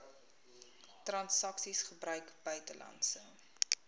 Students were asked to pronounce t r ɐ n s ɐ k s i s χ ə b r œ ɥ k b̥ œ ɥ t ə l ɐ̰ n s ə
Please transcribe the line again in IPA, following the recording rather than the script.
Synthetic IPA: t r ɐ n s ɐ k s i s χ ə b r œ ɥ k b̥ œ ɥ t ə l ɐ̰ n s ə